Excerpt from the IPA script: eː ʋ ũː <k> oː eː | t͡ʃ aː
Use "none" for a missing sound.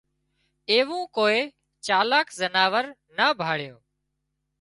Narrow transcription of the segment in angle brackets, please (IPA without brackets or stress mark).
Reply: k